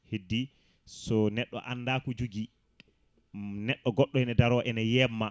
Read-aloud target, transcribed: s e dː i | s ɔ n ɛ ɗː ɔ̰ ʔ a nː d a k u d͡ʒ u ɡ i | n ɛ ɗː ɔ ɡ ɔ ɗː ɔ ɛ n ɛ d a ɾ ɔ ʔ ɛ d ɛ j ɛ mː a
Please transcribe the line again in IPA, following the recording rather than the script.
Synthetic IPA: h e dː i | s ɔ n ɛ ɗː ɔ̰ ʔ a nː d a k u d͡ʒ u ɡ i | n ɛ ɗː ɔ ɡ ɔ ɗː ɔ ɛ n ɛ d a ɾ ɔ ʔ ɛ n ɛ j ɛ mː a